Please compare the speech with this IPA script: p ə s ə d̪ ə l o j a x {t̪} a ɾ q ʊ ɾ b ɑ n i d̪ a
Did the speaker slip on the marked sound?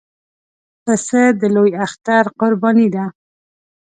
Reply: no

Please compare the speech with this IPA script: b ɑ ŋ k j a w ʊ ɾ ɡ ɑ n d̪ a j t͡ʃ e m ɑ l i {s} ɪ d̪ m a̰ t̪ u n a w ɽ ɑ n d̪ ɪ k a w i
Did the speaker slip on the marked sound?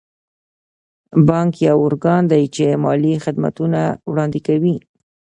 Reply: yes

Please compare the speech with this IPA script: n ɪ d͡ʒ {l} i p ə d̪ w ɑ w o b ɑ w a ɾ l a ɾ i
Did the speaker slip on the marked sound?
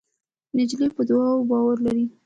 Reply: no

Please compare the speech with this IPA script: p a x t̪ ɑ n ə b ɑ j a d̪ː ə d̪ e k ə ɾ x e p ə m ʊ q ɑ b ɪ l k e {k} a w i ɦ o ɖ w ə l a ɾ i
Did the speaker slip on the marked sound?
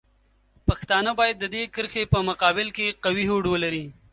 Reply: yes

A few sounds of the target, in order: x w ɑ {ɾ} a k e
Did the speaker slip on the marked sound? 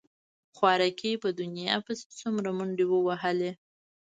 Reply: no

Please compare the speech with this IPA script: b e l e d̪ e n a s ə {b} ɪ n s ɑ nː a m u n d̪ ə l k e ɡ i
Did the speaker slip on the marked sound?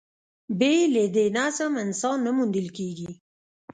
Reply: yes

